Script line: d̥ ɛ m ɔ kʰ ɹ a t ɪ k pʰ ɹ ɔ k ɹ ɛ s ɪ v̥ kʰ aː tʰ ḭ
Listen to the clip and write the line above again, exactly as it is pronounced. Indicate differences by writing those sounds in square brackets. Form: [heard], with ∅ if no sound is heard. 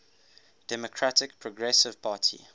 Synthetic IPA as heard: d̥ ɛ m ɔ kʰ ɹ a t ɪ k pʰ ɹ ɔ [ɡ] ɹ ɛ s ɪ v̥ [pʰ] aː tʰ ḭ